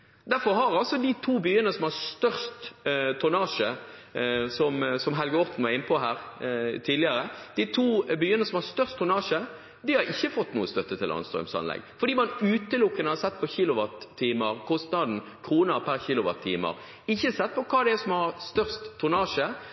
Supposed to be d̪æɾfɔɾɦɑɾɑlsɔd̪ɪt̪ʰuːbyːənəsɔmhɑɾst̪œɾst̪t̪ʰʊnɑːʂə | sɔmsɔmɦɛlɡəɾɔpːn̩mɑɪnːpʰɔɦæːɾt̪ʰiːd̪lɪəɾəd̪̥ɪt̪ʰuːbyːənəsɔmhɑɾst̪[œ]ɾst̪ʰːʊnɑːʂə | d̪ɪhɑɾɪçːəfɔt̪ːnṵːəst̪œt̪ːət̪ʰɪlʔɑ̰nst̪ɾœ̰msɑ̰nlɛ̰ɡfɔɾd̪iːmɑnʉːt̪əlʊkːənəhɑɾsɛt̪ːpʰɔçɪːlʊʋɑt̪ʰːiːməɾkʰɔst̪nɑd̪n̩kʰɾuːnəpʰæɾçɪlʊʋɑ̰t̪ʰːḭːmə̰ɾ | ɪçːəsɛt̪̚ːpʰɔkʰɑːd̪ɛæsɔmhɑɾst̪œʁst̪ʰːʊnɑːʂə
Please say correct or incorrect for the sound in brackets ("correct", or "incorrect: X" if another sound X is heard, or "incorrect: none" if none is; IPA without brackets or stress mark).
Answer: correct